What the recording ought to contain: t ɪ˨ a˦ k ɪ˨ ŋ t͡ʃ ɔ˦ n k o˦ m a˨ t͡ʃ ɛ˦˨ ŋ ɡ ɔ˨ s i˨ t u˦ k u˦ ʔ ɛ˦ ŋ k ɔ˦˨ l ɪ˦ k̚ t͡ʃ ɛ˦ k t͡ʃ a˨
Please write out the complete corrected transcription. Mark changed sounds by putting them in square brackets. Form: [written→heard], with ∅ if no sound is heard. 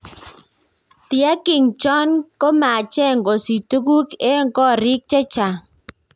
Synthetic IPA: t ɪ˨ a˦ k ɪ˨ ŋ t͡ʃ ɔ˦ n k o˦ m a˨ t͡ʃ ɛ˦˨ ŋ ɡ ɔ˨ s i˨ t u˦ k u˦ [ʔ→k] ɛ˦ ŋ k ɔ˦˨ [l→ɾ] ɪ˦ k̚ t͡ʃ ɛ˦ [k→∅] t͡ʃ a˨

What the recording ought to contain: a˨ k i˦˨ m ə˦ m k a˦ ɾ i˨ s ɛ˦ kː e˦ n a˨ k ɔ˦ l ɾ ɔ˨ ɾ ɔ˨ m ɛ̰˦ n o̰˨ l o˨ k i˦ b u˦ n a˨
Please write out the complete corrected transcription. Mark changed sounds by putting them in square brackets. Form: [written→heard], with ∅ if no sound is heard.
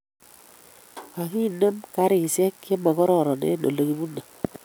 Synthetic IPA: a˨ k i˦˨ [m→n] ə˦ m k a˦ ɾ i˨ s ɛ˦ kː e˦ [n→m] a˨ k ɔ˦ [l→∅] ɾ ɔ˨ ɾ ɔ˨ [m→n] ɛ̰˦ n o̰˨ l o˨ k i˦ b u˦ n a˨

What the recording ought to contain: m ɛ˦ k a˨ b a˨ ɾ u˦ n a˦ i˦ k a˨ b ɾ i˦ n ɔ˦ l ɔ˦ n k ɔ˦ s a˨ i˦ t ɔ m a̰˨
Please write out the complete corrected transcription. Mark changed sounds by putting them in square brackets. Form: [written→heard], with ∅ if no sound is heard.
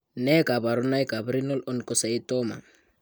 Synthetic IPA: [m→n] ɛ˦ k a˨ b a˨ ɾ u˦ n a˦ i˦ k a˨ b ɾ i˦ n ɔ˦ l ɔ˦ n k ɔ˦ s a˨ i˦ t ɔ m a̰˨

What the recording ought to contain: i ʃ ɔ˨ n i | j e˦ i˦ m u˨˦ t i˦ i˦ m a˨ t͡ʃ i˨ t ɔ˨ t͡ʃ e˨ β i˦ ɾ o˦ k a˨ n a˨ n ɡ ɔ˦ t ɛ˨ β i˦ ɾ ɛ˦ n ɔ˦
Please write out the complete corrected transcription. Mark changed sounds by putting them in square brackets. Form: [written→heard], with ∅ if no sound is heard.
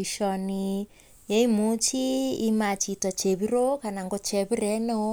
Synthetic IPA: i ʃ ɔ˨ n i | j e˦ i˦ m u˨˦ [t→t͡ʃ] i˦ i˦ m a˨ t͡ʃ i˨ t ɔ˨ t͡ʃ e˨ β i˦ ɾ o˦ k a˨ n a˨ [n→ŋ] ɡ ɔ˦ [t→t͡ʃ] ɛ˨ β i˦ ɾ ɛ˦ n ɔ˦

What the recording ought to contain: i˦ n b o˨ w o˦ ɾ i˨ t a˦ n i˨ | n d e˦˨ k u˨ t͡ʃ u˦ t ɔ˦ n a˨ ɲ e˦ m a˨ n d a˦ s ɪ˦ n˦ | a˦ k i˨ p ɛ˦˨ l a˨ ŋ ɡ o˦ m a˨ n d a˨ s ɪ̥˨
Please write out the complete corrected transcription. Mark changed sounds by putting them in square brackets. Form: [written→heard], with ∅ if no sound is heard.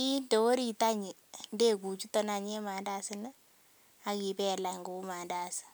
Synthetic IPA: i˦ n [b→d] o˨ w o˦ ɾ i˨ t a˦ [n→ɲ] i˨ | n d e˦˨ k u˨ t͡ʃ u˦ t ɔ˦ n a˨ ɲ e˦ m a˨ n d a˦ s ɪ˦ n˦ | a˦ k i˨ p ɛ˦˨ l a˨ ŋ ɡ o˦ m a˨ n d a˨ s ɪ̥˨

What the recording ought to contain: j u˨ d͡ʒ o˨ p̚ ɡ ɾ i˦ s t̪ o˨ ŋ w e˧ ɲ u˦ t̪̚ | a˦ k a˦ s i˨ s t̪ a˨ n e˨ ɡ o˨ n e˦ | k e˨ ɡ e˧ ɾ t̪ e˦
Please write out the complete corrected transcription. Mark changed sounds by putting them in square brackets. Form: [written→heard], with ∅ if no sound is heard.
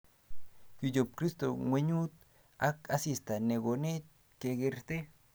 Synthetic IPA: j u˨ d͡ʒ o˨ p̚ [ɡ→k] ɾ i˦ s t̪ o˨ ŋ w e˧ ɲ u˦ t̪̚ | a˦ k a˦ s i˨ s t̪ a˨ n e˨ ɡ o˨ n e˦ | k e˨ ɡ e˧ ɾ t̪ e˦

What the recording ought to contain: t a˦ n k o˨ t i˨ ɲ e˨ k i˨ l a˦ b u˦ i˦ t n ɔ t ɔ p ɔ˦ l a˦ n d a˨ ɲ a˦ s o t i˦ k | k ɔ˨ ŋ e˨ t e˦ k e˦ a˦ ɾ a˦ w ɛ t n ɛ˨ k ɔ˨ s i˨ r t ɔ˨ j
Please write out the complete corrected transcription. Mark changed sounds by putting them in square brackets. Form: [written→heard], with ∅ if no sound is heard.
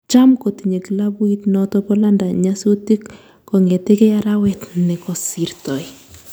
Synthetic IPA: [t→t͡ʃ] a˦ [n→m] k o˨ t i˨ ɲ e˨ k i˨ l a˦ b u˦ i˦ t n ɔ t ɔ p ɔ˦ l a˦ n d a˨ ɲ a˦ s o t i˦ k | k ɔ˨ ŋ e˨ t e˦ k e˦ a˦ ɾ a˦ w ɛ t n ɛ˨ k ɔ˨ s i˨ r t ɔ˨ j

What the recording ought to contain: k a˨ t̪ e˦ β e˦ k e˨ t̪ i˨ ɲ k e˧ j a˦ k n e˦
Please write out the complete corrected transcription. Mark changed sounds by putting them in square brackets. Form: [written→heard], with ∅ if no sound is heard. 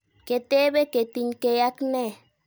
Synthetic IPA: k [a˨→e˨] t̪ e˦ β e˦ k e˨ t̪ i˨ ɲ k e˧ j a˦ k n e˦

